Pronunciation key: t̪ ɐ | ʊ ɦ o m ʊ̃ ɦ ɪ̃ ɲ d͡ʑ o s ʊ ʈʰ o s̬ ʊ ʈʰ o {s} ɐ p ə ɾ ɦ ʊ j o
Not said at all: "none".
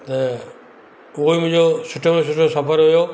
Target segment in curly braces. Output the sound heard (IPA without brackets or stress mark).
s